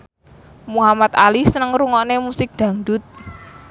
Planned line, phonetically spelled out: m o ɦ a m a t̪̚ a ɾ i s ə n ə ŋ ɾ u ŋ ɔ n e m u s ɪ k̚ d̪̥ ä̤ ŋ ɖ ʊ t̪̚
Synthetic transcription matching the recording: m u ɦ a m a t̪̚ a l i s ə n ə ŋ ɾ u ŋ ɔ n e m u s ɪ k̚ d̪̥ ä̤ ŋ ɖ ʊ t̪̚